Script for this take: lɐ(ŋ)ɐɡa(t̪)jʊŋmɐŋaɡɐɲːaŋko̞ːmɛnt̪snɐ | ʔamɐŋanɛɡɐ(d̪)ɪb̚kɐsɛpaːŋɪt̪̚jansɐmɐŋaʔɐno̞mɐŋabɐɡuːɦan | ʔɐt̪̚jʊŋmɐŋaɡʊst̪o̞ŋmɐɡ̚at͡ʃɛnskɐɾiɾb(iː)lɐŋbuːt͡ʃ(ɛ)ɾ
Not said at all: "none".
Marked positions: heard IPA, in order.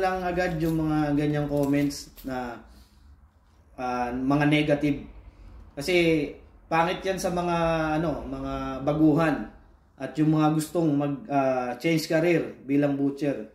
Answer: ŋ, d̪, t̪, iː, ɛ

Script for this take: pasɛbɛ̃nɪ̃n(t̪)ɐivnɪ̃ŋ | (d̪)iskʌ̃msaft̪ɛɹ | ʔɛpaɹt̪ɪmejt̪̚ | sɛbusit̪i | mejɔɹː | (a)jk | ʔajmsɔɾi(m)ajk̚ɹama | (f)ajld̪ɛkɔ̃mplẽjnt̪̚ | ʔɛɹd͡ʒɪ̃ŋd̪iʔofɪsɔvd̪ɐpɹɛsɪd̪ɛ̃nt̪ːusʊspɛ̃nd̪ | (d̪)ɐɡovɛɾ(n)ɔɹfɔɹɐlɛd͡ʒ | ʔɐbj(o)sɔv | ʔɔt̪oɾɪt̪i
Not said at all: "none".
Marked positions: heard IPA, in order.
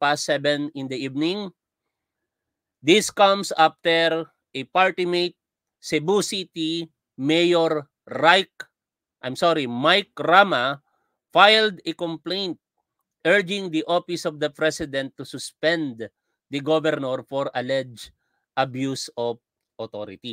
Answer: d̪, d̪, a, m, f, d̪, n, u

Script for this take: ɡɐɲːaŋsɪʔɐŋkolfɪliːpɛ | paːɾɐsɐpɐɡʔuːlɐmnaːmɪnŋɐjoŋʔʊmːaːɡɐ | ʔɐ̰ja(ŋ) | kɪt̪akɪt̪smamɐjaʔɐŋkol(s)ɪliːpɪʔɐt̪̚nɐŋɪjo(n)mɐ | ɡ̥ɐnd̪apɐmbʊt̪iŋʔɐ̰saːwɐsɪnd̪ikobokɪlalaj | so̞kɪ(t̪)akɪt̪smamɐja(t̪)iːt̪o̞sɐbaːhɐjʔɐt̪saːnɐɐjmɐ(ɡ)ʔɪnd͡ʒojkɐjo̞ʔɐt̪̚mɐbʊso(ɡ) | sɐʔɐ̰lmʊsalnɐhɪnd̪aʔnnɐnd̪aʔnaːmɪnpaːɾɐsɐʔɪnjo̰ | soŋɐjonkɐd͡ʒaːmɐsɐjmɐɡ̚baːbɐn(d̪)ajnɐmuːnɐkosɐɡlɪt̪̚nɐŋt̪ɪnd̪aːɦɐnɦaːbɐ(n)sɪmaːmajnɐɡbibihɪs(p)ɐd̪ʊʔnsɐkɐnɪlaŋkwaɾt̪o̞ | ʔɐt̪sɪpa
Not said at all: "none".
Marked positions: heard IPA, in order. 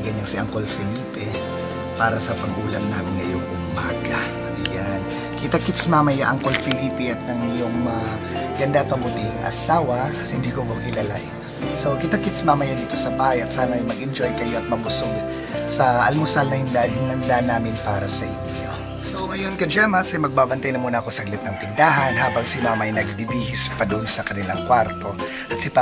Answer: n, f, ŋ, t̪, d̪, ɡ, ɡ, t̪, ŋ, p

